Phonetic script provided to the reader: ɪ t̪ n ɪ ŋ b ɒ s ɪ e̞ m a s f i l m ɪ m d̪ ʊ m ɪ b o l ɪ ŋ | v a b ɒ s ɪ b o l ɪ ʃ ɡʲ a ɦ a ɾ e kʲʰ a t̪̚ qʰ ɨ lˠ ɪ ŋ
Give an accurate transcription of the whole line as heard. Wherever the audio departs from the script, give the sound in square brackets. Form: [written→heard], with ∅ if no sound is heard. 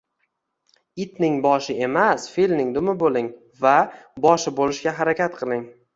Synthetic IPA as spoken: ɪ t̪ n ɪ ŋ b ɒ [s→ʃ] ɪ e̞ m a s f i l [m→n] ɪ [m→ŋ] d̪ ʊ m ɪ b o l ɪ ŋ | v a b ɒ [s→ʃ] ɪ b o l ɪ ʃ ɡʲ a ɦ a ɾ [e→a] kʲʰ a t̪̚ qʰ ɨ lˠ ɪ ŋ

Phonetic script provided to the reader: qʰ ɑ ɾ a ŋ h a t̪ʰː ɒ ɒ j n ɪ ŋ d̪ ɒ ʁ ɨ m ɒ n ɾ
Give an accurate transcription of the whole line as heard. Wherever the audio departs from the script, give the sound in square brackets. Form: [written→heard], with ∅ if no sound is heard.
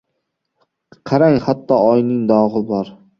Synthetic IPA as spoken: qʰ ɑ ɾ a ŋ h a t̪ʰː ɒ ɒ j n ɪ ŋ d̪ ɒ ʁ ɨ [m→b] ɒ [n→∅] ɾ

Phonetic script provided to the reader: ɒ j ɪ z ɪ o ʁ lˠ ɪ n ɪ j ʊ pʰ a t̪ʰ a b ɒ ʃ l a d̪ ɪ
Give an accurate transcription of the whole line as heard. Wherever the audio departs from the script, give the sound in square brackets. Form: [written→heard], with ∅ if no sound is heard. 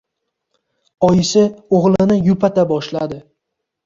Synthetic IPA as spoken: ɒ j ɪ [z→s] ɪ o ʁ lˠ ɪ n ɪ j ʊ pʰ a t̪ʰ a b ɒ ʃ l a d̪ ɪ

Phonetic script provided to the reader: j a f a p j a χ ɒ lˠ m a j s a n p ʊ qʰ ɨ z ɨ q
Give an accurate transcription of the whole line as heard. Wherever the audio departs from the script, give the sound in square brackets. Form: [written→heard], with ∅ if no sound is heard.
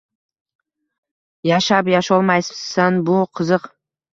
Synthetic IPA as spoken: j a [f→ʃ] a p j a [χ→ʃ] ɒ lˠ m a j s a n [p→b] ʊ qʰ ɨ z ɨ q

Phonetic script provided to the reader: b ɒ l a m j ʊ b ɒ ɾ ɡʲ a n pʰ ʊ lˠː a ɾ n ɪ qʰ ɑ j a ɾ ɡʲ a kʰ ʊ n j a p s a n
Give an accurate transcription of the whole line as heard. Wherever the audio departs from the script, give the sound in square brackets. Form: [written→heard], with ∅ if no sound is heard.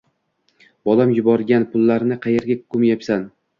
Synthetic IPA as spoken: b ɒ l a m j ʊ b ɒ ɾ ɡʲ a n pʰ ʊ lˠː a ɾ n ɪ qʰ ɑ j [a→e] ɾ ɡʲ a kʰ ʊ [n→m] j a p s a n

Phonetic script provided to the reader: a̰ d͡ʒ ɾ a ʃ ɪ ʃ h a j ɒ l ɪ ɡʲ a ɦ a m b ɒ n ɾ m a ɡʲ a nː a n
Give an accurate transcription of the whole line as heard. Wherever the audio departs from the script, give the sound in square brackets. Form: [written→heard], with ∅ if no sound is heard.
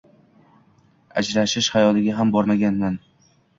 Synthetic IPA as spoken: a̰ d͡ʒ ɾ a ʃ ɪ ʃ h a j ɒ l ɪ ɡʲ a ɦ a m b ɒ [n→∅] ɾ m a ɡʲ a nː a n

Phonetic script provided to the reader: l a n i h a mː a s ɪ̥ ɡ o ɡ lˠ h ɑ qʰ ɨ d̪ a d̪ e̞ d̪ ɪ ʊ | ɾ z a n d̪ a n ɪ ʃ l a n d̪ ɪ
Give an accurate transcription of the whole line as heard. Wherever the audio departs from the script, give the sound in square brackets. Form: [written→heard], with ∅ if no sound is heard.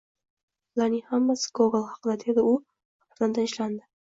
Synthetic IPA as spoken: l a n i h a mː a s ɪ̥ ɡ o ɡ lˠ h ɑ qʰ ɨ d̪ a d̪ e̞ d̪ ɪ ʊ | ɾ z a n d̪ a n ɪ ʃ l a n d̪ ɪ

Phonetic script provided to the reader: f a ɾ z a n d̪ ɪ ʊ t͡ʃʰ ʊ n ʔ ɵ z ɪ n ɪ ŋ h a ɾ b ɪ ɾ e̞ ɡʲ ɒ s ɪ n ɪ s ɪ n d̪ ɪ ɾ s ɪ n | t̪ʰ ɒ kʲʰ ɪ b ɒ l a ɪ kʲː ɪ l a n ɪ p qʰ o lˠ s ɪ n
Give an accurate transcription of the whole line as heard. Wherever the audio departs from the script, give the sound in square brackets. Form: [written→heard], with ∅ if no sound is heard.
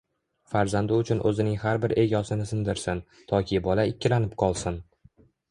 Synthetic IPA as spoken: f a ɾ z a n d̪ ɪ ʊ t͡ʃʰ ʊ n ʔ ɵ z ɪ n ɪ ŋ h a ɾ b ɪ ɾ e̞ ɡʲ ɒ s ɪ n ɪ s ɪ n d̪ ɪ ɾ s ɪ n | t̪ʰ ɒ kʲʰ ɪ b ɒ l a ɪ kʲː ɪ l a n ɪ p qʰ [o→ɒ] lˠ s ɪ n

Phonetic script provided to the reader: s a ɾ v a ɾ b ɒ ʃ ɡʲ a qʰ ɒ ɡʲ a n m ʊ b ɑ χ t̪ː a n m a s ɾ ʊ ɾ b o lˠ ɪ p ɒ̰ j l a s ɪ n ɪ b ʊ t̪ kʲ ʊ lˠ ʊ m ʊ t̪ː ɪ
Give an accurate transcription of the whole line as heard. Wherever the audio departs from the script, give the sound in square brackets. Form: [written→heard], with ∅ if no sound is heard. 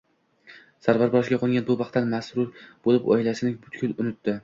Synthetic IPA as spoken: s a ɾ v a ɾ b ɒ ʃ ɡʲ a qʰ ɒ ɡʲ a n [m→b] ʊ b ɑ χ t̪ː a n m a s ɾ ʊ ɾ b o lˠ ɪ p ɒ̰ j l a s ɪ n ɪ b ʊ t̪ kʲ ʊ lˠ ʊ [m→n] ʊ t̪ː ɪ

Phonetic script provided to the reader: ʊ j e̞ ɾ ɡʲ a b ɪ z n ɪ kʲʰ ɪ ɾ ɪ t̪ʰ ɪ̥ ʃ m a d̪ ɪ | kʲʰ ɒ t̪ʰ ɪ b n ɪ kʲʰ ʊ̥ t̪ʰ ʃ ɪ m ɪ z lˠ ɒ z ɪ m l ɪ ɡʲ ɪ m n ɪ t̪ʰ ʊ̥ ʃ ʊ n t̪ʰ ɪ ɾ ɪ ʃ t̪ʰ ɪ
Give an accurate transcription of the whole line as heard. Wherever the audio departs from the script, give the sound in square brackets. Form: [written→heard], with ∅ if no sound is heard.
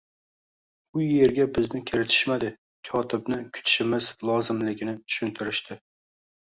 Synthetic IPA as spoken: ʊ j e̞ ɾ ɡʲ a b ɪ z n ɪ kʲʰ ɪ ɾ ɪ t̪ʰ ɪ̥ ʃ m a d̪ ɪ | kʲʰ ɒ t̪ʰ ɪ b n ɪ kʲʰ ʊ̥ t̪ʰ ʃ ɪ m ɪ z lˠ ɒ z ɪ m l ɪ ɡʲ ɪ [m→∅] n ɪ t̪ʰ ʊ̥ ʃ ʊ n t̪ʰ ɪ ɾ ɪ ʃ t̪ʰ ɪ

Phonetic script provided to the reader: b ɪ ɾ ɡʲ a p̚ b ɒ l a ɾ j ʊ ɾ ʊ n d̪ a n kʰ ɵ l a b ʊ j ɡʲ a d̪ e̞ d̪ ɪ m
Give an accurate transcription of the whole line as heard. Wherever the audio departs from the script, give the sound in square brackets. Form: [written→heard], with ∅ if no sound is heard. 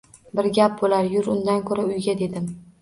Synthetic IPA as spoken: b ɪ ɾ ɡʲ a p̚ b [ɒ→o] l a ɾ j ʊ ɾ ʊ n d̪ a n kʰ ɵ [l→ɾ] a [b→∅] ʊ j ɡʲ a d̪ e̞ d̪ ɪ m

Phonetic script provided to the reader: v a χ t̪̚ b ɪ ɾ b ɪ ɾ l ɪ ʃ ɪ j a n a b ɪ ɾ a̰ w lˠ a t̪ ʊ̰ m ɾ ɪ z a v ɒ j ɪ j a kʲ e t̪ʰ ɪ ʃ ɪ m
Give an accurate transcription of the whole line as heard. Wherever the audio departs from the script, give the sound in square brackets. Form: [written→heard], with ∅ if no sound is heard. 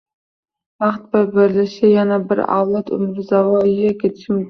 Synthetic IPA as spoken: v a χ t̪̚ b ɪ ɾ b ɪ ɾ l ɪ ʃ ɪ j a n a b ɪ ɾ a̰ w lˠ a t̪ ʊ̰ m ɾ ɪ z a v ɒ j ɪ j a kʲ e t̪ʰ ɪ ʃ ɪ m

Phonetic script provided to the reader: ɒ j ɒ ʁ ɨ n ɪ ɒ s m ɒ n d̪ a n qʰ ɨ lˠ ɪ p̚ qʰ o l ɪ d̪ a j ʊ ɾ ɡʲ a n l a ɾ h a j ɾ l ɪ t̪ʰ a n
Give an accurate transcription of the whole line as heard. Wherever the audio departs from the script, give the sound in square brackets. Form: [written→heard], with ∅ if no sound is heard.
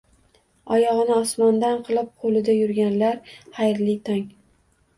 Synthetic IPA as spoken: ɒ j ɒ ʁ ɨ n ɪ ɒ s m ɒ n d̪ a n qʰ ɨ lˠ ɪ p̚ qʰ o l ɪ d̪ a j ʊ ɾ ɡʲ a n l a ɾ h a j ɾ l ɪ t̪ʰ a [n→ŋ]

